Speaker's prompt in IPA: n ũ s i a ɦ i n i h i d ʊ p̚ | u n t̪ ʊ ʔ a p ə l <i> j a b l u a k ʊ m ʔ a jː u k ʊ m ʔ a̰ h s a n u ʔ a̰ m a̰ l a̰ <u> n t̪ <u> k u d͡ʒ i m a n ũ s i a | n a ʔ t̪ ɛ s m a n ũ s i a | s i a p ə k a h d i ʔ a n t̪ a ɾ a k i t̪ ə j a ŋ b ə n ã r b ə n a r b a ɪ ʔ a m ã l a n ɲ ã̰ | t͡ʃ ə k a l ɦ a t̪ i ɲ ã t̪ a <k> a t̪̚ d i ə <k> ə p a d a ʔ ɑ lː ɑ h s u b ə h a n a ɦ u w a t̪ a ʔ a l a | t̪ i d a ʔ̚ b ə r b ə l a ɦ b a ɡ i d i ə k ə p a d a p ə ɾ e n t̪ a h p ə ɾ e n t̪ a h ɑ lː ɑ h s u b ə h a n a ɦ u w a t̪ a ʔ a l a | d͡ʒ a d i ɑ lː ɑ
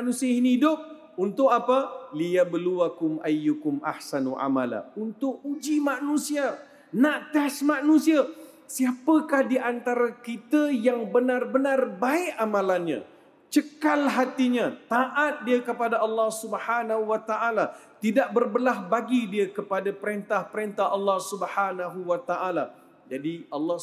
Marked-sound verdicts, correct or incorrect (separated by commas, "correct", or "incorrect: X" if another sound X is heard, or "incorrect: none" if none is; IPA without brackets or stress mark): correct, correct, incorrect: ʊ, incorrect: ʔ, correct